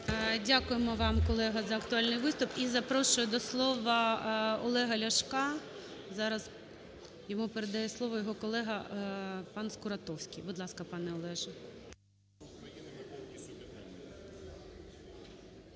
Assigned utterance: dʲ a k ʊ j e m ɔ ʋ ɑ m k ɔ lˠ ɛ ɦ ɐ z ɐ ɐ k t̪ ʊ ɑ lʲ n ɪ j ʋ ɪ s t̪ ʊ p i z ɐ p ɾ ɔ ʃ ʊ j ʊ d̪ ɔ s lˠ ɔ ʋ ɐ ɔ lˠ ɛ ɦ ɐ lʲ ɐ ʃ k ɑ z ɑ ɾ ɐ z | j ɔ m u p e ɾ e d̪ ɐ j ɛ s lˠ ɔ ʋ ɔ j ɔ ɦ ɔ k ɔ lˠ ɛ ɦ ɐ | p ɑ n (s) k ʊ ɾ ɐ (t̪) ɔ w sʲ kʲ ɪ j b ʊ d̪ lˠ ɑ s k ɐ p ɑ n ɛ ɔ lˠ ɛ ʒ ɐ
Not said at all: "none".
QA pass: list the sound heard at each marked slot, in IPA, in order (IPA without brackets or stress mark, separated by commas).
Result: s, t̪